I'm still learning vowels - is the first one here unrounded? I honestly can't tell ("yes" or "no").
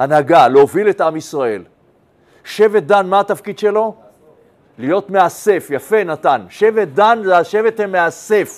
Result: yes